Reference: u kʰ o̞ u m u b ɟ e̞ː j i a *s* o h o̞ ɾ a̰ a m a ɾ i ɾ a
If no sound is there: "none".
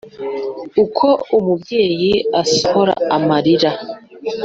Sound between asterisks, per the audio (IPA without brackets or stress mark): s